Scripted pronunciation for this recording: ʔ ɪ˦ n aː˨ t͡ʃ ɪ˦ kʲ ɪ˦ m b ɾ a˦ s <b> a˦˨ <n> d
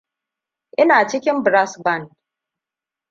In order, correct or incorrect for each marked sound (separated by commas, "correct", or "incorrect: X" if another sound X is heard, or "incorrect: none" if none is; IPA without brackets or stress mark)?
correct, correct